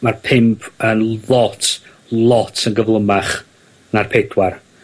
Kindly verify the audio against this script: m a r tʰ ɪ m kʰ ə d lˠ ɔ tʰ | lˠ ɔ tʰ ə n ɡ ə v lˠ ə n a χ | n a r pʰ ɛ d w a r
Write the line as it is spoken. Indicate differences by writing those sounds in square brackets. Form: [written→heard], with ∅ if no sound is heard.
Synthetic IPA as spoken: m a r [tʰ→pʰ] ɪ m [kʰ→pʰ] ə [d→n] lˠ ɔ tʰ | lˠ ɔ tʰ ə n ɡ ə v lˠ ə [n→m] a χ | n a r pʰ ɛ d w a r